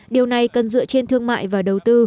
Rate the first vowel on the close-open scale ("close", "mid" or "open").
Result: close